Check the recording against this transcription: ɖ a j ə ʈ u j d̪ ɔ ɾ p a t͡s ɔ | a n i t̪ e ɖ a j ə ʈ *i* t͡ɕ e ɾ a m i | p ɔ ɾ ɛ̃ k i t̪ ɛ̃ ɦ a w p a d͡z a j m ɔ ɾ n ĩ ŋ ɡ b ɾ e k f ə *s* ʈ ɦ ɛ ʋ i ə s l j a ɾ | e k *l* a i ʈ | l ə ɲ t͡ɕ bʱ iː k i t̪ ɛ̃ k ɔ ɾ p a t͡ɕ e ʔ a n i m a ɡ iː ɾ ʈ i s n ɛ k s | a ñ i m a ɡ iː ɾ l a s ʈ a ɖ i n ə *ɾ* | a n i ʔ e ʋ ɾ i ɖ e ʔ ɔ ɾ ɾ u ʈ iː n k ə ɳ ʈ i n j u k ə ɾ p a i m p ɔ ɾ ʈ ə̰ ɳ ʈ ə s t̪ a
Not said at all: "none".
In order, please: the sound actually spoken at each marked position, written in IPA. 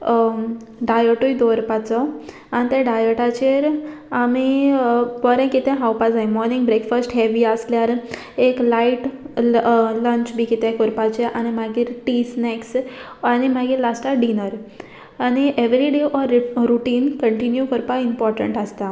a, s, l, ɾ

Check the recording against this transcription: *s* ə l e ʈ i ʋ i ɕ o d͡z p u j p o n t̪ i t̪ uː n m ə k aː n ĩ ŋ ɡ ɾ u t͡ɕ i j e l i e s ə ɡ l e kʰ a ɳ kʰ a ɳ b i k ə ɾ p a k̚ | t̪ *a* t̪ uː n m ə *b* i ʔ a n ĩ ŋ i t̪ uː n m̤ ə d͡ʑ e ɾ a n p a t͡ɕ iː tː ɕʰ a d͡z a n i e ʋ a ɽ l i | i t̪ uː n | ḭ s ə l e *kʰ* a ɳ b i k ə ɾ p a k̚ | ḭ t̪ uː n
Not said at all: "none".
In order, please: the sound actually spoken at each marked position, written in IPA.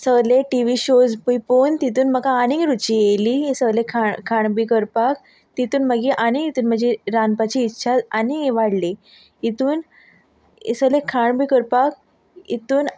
s, i, ɡ, kʰ

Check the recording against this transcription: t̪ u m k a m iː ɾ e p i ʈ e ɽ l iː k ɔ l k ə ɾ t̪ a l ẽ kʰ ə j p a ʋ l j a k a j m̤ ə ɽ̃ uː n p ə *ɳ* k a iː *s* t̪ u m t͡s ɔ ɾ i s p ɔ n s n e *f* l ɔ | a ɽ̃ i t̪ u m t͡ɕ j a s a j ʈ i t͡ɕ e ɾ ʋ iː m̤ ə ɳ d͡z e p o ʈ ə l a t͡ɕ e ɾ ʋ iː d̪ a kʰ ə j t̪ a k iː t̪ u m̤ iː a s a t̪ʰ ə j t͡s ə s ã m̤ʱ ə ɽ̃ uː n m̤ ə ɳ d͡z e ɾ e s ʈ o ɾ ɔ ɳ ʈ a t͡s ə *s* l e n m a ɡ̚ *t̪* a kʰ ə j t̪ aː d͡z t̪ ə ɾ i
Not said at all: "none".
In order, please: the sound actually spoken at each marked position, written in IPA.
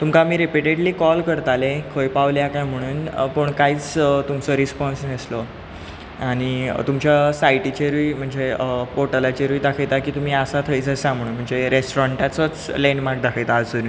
ɳ, t͡s, s, t͡s, d̪

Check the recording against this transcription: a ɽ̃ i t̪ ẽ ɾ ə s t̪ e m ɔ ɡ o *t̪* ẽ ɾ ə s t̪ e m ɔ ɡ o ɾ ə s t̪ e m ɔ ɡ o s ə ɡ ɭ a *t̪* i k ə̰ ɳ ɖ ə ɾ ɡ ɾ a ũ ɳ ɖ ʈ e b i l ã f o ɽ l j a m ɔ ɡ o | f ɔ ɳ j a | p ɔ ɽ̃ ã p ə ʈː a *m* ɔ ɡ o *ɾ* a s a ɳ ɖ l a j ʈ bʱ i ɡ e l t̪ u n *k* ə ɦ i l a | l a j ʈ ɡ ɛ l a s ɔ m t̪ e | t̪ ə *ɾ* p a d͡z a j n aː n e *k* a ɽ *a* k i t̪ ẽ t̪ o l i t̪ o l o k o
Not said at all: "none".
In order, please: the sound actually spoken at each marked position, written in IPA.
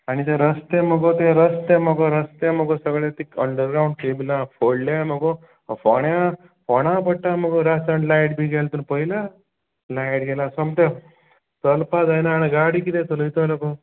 t̪, t̪, m, ɾ, p, l, ɡ, i

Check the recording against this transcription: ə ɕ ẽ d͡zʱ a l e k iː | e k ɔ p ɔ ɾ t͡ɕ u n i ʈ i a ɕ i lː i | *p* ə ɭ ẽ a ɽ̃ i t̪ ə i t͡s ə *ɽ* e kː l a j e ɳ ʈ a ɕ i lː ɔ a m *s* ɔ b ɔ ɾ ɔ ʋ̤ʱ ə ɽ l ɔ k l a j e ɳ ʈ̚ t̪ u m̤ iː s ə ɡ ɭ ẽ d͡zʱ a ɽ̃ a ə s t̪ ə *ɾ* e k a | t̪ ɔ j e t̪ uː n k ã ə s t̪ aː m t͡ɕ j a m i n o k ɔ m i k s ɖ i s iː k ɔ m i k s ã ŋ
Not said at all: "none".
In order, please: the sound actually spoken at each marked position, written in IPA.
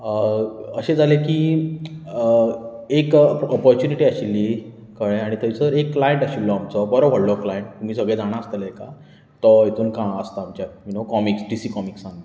k, ɾ, t͡s, l

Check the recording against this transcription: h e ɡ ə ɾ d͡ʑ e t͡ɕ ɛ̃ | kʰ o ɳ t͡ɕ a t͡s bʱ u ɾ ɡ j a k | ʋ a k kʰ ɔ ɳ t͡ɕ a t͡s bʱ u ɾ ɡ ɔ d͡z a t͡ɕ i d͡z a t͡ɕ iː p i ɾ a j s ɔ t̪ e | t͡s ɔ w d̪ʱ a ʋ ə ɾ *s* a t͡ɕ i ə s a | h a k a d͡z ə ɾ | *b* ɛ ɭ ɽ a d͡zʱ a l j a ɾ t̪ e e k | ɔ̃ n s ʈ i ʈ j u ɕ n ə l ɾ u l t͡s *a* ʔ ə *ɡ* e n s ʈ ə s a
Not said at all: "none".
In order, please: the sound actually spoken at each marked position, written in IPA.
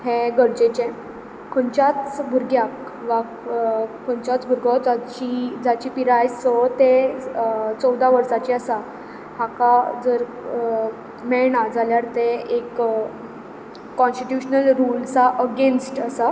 s, m, a, ɡ

